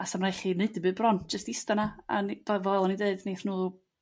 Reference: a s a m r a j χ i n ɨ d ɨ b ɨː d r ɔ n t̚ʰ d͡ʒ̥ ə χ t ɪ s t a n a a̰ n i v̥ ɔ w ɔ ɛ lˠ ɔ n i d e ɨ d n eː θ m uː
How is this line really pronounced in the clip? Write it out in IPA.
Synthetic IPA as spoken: a s a m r a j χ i n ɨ d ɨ b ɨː b r ɔ n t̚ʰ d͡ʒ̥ ə s t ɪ s t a n a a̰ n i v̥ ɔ v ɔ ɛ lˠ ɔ n i d e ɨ d n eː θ n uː